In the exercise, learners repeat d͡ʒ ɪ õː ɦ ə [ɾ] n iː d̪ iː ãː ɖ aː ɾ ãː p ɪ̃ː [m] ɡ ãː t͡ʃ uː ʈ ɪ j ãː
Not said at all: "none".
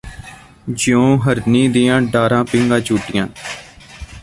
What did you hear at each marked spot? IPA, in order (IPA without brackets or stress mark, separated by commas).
ɾ, ŋ